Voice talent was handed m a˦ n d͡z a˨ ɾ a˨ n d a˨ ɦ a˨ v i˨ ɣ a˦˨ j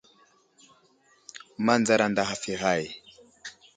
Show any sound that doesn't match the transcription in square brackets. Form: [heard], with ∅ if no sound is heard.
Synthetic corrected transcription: m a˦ n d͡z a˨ ɾ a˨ n d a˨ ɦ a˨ [f] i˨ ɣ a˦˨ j